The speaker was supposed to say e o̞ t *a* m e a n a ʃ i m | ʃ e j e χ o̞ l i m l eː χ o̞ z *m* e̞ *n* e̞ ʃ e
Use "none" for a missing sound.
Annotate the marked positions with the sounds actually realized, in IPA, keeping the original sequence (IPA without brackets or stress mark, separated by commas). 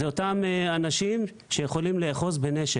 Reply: a, b, n